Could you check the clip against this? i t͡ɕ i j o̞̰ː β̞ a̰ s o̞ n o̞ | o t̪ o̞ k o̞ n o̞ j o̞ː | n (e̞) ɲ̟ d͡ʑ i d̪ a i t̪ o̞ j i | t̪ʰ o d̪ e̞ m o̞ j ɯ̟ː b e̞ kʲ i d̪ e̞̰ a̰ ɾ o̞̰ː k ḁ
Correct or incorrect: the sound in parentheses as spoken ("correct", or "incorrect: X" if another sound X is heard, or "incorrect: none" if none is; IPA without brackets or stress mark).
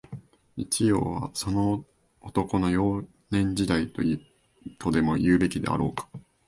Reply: incorrect: ẽ̞